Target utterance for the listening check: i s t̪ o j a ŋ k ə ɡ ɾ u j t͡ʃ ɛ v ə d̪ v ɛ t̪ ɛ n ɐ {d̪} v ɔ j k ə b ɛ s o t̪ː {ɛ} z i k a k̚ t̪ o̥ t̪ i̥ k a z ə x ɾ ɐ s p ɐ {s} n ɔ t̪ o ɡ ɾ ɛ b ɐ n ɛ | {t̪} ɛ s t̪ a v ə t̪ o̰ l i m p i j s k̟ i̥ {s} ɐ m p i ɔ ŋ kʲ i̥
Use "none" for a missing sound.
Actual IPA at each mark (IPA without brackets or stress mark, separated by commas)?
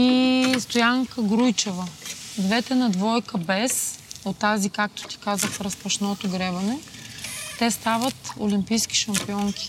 d̪, a, ʃ, t̪, ʃ